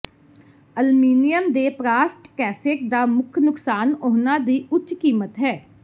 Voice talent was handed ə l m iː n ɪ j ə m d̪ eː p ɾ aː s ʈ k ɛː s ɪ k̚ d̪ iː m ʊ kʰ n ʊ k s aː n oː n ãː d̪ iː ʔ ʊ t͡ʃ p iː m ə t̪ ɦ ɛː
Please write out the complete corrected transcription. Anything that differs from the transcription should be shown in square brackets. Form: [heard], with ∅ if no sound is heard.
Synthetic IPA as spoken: ə l m iː n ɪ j ə m d̪ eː p ɾ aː s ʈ k ɛː s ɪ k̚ d̪ [aː] m ʊ kʰ n ʊ k s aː n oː n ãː d̪ iː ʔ ʊ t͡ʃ [k] iː m ə t̪ ɦ ɛː